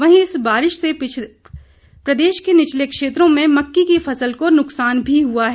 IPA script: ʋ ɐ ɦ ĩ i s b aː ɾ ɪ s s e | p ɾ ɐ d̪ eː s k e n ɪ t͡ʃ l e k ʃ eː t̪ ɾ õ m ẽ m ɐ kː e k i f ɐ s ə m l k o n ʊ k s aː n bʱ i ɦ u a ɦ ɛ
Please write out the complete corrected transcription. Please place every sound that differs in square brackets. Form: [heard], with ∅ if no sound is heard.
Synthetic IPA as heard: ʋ ɐ ɦ ĩ [ɪ] s b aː ɾ ɪ [ʃ] s e | p ɾ ɐ d̪ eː [ʃ] k e n ɪ t͡ʃ l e k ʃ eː t̪ ɾ õ m ẽ m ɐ kː [i] k i f ɐ s ə [∅] l k o n ʊ k s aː n bʱ i ɦ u a ɦ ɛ